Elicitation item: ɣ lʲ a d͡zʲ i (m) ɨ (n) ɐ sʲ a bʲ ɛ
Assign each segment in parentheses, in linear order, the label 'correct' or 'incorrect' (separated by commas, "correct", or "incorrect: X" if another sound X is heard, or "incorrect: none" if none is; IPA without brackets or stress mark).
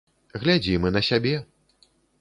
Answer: correct, correct